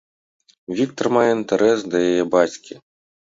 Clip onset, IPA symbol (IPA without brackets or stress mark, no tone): vʲ